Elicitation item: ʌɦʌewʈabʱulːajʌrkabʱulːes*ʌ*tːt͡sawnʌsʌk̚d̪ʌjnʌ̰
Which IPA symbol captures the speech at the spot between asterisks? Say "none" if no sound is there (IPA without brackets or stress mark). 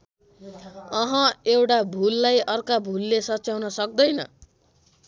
ʌ